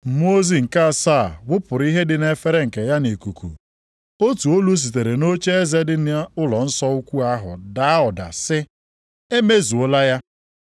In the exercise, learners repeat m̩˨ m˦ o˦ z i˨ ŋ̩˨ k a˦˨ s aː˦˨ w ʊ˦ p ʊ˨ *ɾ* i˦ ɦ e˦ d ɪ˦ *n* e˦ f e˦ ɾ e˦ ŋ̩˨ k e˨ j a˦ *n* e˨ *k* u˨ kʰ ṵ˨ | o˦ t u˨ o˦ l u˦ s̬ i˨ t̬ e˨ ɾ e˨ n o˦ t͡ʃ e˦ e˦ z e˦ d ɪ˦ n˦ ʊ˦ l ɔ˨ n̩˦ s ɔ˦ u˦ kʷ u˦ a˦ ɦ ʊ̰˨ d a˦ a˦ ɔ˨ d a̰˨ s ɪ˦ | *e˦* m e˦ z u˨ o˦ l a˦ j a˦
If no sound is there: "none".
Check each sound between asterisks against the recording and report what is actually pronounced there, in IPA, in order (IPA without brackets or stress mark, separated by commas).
ɾ, n, n, k, e˦